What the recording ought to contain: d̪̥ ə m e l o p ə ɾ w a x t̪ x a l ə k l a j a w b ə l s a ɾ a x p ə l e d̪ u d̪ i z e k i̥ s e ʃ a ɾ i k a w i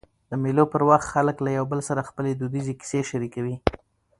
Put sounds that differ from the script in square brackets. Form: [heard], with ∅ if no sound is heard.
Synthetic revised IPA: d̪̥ ə m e l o p ə ɾ w a x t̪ x a l ə k l a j a w b ə l s a ɾ a x p ə l e d̪ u d̪ i z e k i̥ s e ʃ a ɾ i k a w i